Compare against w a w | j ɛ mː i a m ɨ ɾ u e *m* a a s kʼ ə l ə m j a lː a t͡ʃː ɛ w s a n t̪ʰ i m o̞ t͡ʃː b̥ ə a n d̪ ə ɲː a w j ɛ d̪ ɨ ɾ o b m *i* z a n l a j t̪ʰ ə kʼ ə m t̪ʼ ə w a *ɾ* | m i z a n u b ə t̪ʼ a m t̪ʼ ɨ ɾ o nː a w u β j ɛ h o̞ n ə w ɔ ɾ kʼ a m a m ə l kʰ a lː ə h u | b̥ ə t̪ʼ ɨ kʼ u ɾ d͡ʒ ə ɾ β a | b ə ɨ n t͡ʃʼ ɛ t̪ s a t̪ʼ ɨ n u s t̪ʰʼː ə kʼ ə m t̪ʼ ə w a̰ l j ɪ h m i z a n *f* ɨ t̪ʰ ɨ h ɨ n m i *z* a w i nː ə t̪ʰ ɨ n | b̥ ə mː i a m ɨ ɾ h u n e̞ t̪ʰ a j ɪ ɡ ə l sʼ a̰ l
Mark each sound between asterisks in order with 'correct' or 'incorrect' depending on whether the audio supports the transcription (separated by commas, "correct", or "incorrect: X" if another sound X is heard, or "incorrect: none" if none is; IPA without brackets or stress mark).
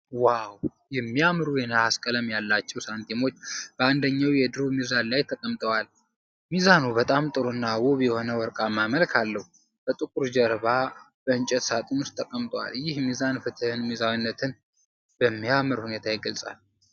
incorrect: n, correct, incorrect: l, correct, correct